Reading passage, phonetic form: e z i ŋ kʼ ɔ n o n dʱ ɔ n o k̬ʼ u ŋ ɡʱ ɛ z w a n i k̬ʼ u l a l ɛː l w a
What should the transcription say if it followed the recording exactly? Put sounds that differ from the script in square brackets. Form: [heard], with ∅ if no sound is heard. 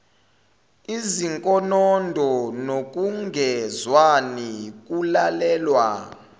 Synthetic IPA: [i] z i ŋ kʼ ɔ n [ɔ] n dʱ ɔ n o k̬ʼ u ŋ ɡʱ ɛ z w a n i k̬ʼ u l a l ɛː l w a